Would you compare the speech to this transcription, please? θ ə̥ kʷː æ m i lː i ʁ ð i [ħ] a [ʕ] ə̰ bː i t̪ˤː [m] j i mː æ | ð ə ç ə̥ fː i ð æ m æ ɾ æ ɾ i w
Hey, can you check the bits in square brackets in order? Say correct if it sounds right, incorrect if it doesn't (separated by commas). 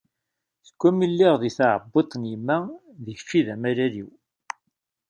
incorrect, correct, incorrect